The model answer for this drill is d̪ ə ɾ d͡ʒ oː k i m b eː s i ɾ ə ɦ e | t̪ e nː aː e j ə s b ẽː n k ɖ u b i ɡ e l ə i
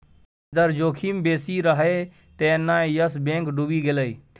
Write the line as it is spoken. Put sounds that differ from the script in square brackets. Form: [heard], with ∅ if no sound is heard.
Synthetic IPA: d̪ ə ɾ d͡ʒ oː [kʰ] i m b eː s i ɾ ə ɦ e | t̪ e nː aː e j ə s b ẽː [ŋ] k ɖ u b i ɡ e l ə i